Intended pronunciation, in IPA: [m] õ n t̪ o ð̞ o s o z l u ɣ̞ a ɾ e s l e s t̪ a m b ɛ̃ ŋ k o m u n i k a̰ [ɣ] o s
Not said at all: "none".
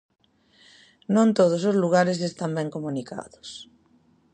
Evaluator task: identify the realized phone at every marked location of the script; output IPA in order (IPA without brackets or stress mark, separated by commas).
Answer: n, ð